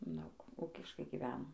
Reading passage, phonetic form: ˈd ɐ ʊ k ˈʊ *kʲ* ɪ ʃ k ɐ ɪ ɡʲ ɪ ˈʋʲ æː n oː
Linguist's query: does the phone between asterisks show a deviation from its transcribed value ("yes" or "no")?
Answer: no